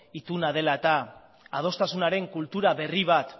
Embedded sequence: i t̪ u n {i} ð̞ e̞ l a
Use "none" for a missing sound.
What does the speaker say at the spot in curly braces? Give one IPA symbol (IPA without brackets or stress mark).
a